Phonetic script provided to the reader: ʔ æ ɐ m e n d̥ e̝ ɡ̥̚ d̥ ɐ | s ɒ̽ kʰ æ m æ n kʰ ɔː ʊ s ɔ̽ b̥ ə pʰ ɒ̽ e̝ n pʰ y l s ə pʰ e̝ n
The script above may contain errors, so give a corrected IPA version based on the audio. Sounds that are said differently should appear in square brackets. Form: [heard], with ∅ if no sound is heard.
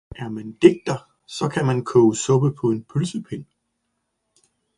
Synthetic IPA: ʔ æ ɐ m [æ] n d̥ e̝ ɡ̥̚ d̥ ɐ | s ɒ̽ kʰ æ m æ n kʰ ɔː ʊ s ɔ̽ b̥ ə pʰ ɒ̽ e̝ n pʰ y l s ə pʰ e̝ n